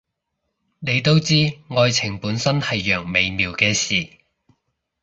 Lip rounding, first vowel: unrounded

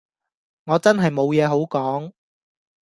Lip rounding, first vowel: rounded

